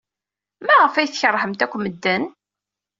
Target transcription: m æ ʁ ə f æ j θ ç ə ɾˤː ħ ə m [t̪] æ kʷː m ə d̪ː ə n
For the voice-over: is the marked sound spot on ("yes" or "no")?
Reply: yes